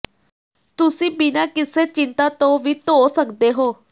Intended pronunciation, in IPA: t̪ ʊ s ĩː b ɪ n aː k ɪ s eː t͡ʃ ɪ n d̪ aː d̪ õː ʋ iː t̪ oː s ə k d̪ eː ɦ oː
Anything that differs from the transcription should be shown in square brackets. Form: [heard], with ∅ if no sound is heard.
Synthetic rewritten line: t̪ ʊ s ĩː b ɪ n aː k ɪ s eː t͡ʃ ɪ n [t̪] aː [t̪] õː ʋ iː t̪ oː s ə k d̪ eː ɦ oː